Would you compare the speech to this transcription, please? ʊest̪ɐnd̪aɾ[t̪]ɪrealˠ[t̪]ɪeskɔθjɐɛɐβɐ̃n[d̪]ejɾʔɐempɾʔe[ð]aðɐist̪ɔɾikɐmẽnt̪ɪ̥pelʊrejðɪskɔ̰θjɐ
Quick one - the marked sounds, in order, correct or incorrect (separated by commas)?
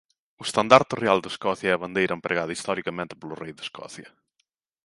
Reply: correct, incorrect, correct, incorrect